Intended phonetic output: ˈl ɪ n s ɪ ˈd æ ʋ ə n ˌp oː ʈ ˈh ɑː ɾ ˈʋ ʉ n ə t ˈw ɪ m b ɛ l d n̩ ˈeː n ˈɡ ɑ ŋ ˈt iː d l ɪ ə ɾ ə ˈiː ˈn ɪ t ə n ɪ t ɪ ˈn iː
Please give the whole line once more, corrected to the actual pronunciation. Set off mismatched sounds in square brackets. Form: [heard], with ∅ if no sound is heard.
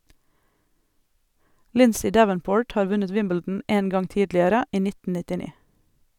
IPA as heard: ˈl ɪ n s ɪ ˈd æ ʋ ə n ˌp oː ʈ ˈh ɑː ɾ ˈʋ ʉ n ə t ˈw ɪ m b ɛ l d n̩ ˈeː n ˈɡ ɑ ŋ ˈt iː d l ɪ ə ɾ ə ˈiː ˈn ɪ t ə n ɪ t ɪ ˈn iː